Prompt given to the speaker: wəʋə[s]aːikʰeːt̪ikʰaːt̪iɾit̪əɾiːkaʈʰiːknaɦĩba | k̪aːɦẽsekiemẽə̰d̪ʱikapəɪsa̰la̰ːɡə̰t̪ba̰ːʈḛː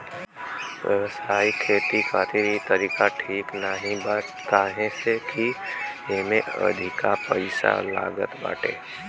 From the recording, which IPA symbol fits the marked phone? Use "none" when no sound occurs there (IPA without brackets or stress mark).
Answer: s